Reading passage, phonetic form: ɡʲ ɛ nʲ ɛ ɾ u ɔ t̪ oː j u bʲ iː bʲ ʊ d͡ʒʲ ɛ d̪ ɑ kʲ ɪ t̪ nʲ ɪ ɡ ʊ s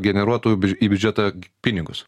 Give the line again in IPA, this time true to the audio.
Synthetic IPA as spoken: ɡʲ ɛ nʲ ɛ ɾ u ɔ t̪ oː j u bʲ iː bʲ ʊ d͡ʒʲ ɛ t̪ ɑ pʲ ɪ nʲ ɪ ɡ ʊ s